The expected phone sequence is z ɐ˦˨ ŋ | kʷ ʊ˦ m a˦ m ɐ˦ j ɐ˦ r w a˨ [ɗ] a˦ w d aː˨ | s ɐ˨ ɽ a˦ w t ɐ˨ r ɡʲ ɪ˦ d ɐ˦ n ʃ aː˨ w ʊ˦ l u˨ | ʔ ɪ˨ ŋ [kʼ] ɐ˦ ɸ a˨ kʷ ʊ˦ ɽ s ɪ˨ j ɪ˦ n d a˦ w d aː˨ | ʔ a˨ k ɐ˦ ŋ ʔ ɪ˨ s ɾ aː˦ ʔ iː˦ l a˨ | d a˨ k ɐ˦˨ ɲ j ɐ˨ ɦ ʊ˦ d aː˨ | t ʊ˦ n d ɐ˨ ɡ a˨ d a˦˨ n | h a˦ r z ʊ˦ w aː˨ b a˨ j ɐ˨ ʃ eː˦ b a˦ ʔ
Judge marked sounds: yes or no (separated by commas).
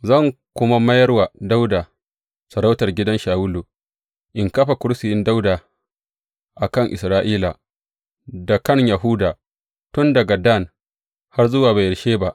no, no